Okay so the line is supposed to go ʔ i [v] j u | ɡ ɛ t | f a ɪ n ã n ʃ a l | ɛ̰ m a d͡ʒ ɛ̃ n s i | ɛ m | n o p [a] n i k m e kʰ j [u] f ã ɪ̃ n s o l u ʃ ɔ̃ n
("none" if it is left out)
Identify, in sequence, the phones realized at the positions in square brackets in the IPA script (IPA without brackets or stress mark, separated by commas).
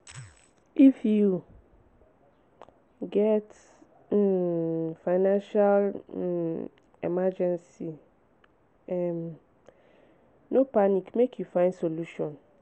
f, a, u